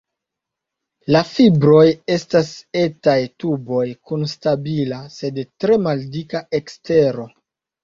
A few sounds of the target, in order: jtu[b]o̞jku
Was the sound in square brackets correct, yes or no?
yes